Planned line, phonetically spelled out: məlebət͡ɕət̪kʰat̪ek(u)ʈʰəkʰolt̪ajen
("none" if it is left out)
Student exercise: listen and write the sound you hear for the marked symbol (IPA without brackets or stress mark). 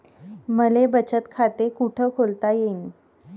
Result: u